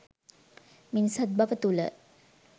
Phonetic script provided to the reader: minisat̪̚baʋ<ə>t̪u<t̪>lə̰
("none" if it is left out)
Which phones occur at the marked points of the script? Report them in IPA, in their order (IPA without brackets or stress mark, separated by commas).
ə, none